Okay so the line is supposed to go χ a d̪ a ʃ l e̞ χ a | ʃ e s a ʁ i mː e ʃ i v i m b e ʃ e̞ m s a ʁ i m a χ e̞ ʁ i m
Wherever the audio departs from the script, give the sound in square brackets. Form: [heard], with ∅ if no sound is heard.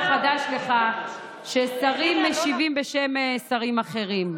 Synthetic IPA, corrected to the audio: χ a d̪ a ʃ l e̞ χ a | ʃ e s a ʁ i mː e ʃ i v i m b e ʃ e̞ m s a ʁ i m a χ e̞ ʁ i m